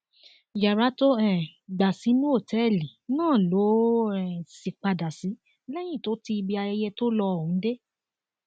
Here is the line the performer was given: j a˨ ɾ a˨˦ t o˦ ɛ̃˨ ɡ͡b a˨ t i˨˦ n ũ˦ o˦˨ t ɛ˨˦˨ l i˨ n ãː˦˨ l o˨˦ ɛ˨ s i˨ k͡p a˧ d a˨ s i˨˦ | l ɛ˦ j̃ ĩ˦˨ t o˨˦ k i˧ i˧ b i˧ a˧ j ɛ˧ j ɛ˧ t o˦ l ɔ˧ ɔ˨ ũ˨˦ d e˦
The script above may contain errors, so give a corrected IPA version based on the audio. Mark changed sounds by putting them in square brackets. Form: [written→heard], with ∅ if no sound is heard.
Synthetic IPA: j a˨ ɾ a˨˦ t o˦ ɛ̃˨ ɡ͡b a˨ [t→s] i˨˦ n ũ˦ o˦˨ t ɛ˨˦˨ l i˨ n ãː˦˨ l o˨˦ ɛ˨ s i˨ k͡p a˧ d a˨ s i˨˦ | l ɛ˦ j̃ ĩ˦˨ t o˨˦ [k→t] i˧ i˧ b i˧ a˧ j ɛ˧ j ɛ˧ t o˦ l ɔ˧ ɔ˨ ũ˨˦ d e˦

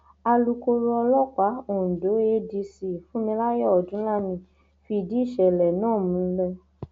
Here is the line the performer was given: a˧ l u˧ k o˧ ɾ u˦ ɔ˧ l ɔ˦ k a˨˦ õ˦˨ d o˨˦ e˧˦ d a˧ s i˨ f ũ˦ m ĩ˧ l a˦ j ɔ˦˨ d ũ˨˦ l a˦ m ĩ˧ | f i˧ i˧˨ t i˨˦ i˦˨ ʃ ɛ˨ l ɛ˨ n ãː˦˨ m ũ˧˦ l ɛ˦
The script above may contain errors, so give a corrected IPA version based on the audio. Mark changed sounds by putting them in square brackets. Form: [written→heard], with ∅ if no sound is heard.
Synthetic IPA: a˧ l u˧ k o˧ ɾ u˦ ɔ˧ l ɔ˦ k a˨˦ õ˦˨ d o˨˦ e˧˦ d [a˧→i˧] s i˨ f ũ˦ m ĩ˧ l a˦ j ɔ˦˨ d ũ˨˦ l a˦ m ĩ˧ | f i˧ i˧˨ [t→d] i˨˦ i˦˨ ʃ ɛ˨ l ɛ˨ n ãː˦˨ m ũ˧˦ l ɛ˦

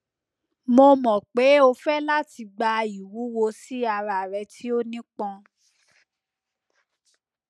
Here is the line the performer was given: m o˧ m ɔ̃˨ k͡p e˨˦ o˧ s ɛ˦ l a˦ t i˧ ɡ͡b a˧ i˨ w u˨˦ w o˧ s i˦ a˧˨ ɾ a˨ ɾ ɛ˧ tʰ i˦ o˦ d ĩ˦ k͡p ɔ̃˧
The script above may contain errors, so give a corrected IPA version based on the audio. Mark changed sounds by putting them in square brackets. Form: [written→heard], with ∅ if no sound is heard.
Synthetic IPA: m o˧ m ɔ̃˨ k͡p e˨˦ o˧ [s→f] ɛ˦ l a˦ t i˧ ɡ͡b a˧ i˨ w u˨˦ w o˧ s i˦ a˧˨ ɾ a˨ ɾ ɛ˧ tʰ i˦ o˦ [d→n] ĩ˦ k͡p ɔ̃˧

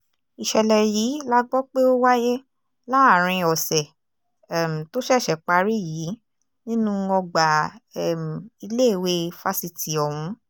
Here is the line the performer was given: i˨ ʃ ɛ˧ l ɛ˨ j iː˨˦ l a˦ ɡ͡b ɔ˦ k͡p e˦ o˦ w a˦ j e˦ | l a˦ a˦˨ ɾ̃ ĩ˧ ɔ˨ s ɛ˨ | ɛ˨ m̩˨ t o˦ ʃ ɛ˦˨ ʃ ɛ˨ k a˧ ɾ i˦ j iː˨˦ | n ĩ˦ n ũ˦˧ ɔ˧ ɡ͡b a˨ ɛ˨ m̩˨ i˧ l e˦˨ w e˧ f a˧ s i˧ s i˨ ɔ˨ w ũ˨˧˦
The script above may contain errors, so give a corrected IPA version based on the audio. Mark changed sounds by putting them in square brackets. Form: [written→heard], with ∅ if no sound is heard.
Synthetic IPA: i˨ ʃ ɛ˧ l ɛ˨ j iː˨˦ l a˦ ɡ͡b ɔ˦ k͡p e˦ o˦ w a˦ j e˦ | l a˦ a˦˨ ɾ̃ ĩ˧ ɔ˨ s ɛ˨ | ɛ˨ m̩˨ t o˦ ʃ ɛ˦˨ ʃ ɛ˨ [k→k͡p] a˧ ɾ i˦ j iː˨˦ | n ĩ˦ n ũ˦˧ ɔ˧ ɡ͡b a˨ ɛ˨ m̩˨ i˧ l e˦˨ w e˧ f a˧ s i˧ [s→t] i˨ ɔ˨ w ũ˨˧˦

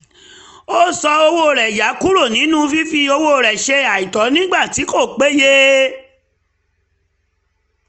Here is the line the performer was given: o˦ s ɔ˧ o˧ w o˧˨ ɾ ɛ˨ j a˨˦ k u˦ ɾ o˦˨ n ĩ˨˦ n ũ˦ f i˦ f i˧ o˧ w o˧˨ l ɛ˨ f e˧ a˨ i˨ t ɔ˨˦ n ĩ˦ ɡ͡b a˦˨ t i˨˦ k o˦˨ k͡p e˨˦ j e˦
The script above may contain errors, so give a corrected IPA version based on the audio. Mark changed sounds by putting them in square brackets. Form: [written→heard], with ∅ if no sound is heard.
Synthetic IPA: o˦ s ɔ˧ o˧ w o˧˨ ɾ ɛ˨ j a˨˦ k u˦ ɾ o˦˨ n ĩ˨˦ n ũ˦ f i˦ f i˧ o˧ w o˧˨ [l→ɾ] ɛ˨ [f→ʃ] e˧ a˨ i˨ t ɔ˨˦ n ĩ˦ ɡ͡b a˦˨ t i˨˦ k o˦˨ k͡p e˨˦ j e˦

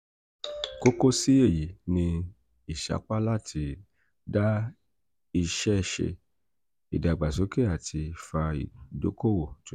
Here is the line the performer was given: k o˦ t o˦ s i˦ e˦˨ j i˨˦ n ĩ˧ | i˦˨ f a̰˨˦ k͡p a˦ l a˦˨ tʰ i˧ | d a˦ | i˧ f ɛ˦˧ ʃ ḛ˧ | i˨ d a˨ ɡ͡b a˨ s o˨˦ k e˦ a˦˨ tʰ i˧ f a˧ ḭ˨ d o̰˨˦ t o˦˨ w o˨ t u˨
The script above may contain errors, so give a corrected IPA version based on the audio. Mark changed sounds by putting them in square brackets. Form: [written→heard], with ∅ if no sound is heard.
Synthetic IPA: k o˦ [t→k] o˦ s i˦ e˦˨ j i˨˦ n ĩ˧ | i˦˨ [f→ʃ] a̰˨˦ k͡p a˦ l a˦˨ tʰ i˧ | d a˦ | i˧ [f→ʃ] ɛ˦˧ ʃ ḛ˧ | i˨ d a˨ ɡ͡b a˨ s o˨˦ k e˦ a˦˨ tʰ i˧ f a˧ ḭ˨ d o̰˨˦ [t→k] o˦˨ w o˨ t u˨

